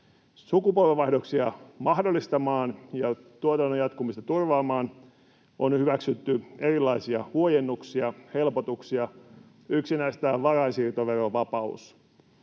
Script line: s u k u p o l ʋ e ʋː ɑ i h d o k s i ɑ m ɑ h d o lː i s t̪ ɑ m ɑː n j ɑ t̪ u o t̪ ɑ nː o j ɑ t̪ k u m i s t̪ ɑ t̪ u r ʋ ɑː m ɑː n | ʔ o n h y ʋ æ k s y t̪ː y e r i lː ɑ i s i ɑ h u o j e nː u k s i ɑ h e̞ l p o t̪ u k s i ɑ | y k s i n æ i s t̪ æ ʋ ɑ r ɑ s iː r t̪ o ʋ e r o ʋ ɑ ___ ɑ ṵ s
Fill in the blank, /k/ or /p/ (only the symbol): p